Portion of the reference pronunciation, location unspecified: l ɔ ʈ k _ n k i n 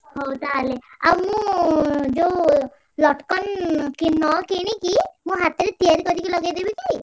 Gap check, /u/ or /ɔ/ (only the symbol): ɔ